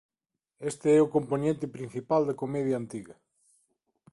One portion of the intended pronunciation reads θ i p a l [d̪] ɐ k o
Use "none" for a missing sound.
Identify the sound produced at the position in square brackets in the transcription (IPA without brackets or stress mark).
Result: d̪